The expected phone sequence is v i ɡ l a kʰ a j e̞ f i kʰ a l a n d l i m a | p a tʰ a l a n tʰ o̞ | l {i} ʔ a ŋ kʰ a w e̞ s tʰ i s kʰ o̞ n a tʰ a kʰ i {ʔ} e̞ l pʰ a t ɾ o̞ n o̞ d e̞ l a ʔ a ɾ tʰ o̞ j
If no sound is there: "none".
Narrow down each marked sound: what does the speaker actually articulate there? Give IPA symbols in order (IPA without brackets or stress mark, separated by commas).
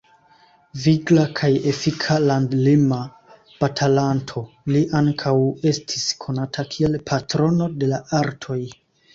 i, none